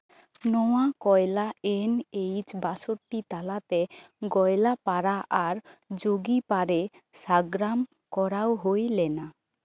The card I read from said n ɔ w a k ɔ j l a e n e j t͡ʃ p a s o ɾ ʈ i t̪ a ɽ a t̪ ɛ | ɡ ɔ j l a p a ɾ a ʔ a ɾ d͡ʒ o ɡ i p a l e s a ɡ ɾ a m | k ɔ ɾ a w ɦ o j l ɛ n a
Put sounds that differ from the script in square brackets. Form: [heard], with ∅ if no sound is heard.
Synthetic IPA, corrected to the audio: n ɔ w a k ɔ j l a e n e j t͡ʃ [b] a s o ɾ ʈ i t̪ a [l] a t̪ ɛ | ɡ ɔ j l a p a ɾ a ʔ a ɾ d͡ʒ o ɡ i p a [ɾ] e s a ɡ ɾ a m | k ɔ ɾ a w ɦ o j l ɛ n a